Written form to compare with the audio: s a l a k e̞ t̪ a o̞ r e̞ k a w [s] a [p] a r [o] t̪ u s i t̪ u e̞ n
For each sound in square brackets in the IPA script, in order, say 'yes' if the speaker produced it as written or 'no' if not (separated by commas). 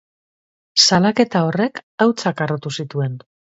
no, no, yes